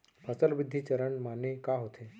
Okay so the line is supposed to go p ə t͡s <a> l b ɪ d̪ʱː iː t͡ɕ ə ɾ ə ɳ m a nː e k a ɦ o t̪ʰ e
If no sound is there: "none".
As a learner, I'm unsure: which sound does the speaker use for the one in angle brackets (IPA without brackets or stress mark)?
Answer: ə